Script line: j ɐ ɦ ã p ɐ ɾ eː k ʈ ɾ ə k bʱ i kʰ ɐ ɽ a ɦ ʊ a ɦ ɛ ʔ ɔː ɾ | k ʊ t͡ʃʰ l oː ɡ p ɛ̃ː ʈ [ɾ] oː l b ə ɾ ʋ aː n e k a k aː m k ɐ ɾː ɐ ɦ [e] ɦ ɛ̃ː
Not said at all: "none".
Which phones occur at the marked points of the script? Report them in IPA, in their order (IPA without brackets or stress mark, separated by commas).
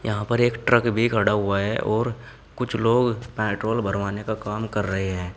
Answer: ɾ, e